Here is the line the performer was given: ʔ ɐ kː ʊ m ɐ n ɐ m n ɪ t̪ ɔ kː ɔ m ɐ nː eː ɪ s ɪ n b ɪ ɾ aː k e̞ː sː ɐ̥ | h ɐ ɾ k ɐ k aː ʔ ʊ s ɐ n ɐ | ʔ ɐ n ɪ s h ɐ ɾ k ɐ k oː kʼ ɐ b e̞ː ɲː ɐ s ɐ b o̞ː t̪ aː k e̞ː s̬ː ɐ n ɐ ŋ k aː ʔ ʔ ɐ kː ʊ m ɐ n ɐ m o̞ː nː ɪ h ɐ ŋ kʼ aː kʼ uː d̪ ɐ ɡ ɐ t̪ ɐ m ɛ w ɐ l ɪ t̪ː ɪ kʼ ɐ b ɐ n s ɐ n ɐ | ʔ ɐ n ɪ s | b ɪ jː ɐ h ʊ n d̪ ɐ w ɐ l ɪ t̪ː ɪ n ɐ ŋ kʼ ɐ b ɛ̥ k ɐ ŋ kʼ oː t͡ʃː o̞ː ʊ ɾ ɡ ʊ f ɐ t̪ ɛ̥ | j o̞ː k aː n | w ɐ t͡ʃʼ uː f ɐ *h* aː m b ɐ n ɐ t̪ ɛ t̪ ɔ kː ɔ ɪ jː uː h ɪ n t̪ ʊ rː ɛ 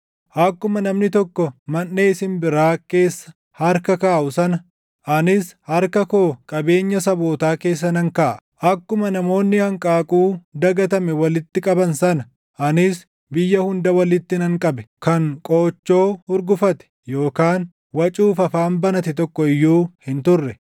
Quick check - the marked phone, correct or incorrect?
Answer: incorrect